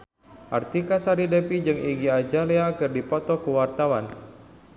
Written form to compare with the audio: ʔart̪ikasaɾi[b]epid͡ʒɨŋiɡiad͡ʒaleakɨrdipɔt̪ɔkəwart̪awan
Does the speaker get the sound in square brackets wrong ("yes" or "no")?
yes